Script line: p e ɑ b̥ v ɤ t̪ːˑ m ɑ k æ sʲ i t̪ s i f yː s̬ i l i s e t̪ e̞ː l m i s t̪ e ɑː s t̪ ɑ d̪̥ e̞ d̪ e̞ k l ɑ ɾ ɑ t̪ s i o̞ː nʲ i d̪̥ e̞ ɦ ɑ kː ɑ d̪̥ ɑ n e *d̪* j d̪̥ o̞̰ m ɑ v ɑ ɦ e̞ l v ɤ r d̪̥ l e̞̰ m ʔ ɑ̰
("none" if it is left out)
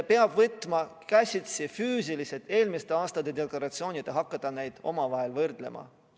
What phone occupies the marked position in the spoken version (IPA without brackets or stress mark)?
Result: none